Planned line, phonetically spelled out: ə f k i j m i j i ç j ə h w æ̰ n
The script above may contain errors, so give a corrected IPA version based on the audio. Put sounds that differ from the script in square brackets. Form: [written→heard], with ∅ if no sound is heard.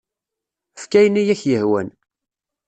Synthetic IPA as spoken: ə f k [i→æ] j [m→n] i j [i→æ] ç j ə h w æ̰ n